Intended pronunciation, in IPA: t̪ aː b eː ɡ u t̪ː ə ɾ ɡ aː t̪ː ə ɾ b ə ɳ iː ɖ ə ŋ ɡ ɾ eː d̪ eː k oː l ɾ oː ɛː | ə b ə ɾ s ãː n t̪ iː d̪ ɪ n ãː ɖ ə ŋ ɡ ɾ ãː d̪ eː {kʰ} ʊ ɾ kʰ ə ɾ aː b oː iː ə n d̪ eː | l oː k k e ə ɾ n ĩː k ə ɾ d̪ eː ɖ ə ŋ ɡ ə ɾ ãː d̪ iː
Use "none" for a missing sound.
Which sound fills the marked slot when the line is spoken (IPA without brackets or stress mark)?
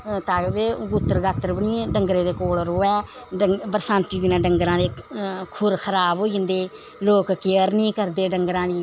kʰ